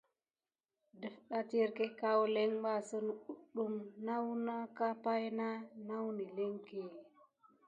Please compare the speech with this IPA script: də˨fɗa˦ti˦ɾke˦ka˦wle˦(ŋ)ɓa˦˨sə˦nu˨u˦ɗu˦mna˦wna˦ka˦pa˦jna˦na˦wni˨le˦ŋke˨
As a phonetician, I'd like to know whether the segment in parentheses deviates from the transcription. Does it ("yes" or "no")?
no